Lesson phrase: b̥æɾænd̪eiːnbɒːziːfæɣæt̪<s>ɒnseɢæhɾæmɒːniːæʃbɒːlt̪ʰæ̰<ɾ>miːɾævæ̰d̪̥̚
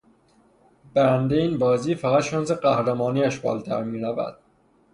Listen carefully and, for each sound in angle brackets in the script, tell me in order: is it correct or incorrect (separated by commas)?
incorrect, correct